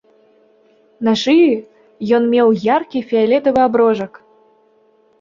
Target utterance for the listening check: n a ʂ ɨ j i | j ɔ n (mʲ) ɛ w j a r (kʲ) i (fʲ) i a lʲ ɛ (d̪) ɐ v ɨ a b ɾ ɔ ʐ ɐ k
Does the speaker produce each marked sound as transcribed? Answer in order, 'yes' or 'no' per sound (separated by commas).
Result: yes, yes, yes, no